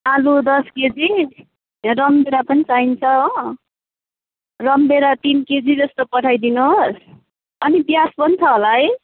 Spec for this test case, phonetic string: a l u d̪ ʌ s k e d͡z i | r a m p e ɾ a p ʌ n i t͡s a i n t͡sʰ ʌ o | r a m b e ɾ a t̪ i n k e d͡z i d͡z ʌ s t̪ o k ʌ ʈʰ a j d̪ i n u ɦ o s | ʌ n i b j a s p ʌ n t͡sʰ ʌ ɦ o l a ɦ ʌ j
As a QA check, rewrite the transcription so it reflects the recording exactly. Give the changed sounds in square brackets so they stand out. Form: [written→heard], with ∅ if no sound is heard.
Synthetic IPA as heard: a l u d̪ ʌ s k e d͡z i | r [a→ʌ] m [p→b] e ɾ a p ʌ n i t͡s a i n t͡sʰ ʌ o | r [a→ʌ] m b e ɾ a t̪ i n k e d͡z i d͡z ʌ s t̪ o [k→p] ʌ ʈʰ a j d̪ i n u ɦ o s | ʌ n i b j a s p ʌ n t͡sʰ ʌ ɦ o l a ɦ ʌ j